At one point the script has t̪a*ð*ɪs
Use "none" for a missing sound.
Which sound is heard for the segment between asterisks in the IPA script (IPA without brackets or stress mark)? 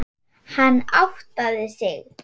ð